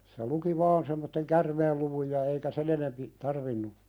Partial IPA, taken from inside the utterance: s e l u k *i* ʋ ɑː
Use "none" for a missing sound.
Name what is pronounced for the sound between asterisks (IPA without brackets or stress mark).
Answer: i